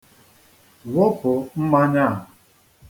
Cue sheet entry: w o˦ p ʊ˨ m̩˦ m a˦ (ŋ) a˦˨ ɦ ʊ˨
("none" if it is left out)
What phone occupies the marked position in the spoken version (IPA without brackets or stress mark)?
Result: ɲ